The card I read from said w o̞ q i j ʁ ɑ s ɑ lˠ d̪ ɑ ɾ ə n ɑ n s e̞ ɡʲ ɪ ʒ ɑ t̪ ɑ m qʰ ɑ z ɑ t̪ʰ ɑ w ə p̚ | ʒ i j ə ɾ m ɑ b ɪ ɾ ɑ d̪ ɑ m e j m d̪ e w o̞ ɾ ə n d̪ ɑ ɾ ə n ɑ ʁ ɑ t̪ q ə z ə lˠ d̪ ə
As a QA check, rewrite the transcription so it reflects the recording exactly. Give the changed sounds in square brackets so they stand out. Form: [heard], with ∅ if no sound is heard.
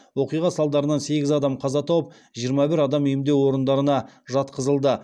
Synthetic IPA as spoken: w o̞ q i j ʁ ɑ s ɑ lˠ d̪ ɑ ɾ ə n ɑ n s e̞ ɡʲ ɪ [z] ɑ [d̪] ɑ m qʰ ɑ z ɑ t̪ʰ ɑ w ə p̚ | ʒ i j ə ɾ m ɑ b ɪ ɾ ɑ d̪ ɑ m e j m d̪ e w o̞ ɾ ə n d̪ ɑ ɾ ə n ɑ [ʒ] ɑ t̪ q ə z ə lˠ d̪ ə